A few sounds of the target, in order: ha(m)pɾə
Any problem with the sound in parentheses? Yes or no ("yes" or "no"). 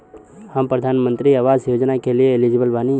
no